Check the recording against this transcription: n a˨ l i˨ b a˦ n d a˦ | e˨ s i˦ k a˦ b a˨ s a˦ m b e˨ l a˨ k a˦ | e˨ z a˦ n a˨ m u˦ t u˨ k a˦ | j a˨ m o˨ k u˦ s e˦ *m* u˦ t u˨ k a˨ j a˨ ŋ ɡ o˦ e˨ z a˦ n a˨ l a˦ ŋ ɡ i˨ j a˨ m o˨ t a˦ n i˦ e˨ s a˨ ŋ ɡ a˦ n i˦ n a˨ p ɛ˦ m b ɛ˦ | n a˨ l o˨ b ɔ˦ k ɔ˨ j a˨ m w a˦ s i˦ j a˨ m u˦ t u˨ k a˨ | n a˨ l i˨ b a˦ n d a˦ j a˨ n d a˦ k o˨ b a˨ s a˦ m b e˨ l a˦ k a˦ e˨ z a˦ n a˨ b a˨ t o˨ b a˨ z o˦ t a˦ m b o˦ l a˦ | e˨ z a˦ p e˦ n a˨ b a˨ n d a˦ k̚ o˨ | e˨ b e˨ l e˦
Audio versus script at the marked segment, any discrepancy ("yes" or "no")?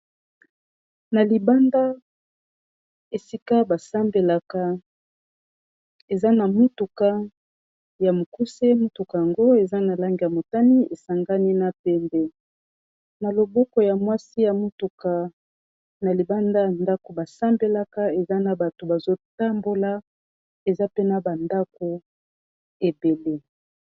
no